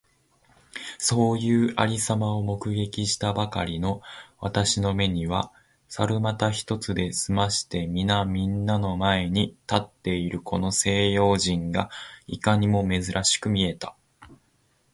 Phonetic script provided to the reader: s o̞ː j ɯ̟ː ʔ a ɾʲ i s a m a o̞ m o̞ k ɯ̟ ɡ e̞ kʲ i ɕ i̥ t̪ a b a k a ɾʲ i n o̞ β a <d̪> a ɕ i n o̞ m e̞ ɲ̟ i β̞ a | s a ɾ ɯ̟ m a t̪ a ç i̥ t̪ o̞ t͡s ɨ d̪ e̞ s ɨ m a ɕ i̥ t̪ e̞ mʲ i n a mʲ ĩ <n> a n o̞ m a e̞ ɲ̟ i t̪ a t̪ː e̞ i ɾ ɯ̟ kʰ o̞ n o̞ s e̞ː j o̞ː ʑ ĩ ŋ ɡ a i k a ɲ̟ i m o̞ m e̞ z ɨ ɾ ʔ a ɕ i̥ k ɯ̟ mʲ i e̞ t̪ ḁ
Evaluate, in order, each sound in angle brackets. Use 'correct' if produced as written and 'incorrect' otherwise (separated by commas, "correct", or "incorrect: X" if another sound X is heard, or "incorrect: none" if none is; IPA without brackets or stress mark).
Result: incorrect: t̪, incorrect: nː